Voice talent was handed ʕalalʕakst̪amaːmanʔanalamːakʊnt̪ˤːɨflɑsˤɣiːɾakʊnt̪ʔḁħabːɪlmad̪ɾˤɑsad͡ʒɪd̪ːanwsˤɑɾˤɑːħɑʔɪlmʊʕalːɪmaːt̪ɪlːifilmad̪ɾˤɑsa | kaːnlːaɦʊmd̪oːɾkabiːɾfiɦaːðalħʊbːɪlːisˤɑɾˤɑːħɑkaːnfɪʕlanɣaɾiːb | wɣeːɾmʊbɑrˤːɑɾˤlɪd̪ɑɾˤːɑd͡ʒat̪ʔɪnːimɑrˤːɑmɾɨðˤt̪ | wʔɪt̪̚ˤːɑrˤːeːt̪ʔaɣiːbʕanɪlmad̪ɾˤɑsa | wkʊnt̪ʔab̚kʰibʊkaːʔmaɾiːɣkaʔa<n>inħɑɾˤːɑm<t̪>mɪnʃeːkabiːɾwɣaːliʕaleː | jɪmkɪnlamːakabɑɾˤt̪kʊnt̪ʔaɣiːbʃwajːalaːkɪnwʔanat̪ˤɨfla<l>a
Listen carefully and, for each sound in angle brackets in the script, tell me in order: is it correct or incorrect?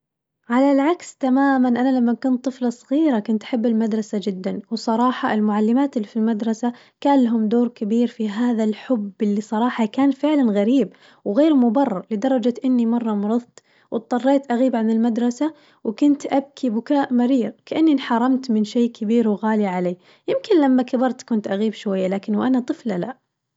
incorrect, correct, correct

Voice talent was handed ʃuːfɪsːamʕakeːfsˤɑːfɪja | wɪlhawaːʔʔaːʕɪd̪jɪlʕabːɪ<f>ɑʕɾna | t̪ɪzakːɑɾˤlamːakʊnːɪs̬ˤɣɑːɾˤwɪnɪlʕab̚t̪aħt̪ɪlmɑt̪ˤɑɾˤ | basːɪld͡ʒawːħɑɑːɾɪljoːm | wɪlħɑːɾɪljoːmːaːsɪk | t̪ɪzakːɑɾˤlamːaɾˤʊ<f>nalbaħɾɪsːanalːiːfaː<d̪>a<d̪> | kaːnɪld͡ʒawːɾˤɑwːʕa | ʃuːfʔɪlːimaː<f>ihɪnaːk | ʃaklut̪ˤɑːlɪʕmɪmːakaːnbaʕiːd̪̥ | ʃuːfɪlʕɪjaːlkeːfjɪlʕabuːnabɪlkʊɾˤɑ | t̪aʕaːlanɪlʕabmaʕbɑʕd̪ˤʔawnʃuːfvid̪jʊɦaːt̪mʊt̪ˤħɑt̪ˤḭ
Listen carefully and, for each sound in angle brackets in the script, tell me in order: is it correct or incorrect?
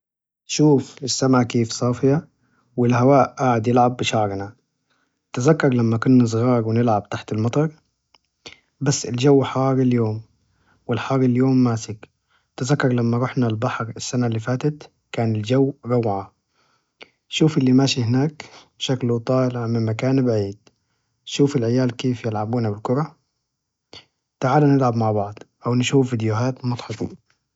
incorrect, incorrect, incorrect, incorrect, incorrect

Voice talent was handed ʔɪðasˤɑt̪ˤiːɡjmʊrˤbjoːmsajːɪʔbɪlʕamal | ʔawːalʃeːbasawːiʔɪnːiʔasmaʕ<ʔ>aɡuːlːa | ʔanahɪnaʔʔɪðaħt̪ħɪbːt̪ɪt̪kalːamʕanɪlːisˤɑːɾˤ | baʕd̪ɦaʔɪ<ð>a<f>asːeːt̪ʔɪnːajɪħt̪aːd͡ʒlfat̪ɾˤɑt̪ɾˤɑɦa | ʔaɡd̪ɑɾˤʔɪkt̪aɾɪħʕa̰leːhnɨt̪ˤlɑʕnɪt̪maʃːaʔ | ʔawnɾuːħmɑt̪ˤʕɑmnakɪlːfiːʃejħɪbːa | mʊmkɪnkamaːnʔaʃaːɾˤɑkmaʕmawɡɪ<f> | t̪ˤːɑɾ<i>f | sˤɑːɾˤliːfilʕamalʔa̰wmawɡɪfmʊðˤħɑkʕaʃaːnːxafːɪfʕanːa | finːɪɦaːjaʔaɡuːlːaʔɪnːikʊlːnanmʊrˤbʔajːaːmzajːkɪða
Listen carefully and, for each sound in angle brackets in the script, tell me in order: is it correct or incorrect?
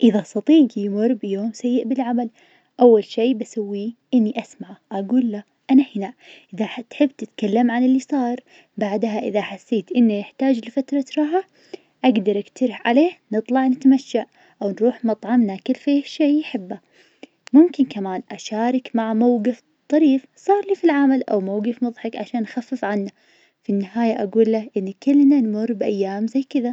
correct, correct, incorrect, correct, incorrect

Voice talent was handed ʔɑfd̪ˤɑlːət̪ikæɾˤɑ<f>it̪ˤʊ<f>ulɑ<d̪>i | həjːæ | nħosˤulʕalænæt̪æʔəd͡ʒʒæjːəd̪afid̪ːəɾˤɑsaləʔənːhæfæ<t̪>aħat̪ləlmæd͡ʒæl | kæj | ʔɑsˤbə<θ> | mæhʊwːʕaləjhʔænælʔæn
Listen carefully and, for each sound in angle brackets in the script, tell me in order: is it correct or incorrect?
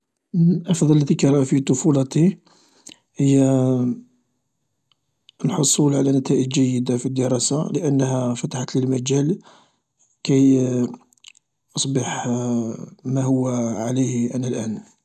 correct, correct, incorrect, correct, incorrect

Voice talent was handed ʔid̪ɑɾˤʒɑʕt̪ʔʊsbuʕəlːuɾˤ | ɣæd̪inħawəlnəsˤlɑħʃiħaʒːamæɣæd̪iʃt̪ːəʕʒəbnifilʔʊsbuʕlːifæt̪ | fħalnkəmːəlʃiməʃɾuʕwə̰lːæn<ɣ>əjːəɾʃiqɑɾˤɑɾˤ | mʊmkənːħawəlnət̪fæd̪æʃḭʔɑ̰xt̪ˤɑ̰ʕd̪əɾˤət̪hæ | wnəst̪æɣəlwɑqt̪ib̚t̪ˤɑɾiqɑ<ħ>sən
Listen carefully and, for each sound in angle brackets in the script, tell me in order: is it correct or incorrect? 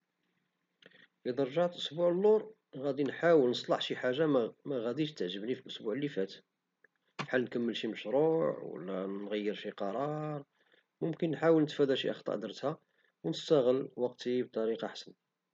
correct, correct

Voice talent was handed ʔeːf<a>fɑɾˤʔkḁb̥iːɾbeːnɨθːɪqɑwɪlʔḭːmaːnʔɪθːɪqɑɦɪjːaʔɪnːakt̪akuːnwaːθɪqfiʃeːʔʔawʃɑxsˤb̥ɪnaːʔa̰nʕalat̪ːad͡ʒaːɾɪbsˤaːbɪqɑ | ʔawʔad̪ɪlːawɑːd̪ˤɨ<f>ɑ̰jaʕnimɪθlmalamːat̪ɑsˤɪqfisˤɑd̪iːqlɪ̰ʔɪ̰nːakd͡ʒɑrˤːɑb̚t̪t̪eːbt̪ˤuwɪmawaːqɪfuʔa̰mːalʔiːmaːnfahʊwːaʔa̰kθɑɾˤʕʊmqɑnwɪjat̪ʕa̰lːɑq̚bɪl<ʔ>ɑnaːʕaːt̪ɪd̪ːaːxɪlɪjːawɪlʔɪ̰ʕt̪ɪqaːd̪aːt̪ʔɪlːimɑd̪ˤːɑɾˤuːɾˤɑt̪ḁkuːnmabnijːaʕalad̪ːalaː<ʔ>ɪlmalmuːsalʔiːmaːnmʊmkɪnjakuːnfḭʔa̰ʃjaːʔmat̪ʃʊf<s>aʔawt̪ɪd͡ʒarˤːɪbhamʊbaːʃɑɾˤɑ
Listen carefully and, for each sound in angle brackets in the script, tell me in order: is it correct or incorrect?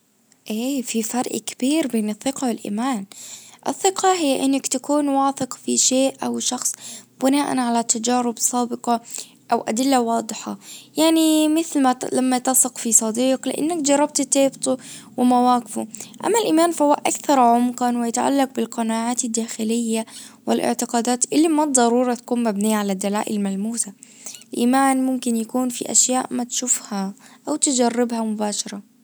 incorrect, incorrect, incorrect, correct, incorrect

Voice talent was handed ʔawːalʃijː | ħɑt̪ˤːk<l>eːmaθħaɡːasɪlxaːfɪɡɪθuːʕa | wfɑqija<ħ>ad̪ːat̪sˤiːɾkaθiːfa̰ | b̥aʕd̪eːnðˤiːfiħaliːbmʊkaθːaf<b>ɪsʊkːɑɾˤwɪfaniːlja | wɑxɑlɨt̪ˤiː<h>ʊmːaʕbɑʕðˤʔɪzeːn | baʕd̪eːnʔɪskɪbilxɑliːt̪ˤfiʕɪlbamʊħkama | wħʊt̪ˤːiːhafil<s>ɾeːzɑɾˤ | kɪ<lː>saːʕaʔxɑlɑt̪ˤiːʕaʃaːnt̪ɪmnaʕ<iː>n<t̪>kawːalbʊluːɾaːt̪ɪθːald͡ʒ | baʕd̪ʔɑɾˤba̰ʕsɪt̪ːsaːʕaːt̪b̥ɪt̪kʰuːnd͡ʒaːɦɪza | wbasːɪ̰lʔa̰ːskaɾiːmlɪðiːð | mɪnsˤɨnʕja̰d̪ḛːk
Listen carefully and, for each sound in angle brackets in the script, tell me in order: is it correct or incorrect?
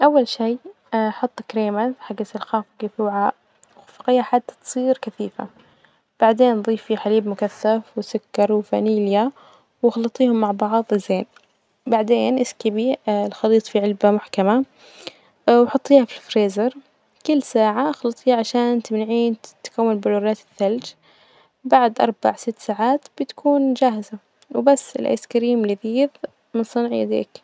incorrect, correct, incorrect, correct, incorrect, correct, correct, correct

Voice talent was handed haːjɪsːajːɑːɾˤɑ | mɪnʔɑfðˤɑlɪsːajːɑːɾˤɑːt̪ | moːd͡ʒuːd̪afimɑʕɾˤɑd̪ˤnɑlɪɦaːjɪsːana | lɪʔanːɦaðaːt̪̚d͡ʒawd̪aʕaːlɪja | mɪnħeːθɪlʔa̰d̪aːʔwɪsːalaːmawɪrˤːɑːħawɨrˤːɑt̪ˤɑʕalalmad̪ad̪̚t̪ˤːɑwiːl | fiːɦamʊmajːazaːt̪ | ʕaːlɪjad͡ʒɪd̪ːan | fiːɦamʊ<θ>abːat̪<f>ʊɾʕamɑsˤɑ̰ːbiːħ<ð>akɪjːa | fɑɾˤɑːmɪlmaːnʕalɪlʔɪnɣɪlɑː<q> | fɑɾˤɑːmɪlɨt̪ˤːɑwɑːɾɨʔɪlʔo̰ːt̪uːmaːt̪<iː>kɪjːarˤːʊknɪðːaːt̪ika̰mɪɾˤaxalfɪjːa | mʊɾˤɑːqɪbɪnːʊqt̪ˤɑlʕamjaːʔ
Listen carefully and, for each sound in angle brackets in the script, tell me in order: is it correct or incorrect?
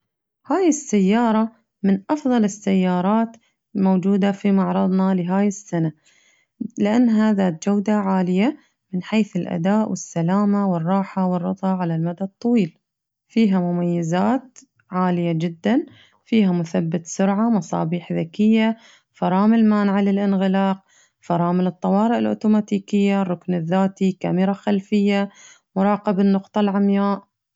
correct, incorrect, correct, correct, correct

